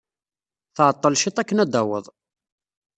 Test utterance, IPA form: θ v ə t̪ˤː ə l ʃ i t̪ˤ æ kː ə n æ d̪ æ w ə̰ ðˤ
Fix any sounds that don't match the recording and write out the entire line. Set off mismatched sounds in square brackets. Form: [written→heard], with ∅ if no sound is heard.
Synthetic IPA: θ [v→ʕ] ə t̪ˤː ə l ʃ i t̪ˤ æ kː ə n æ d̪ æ w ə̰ ðˤ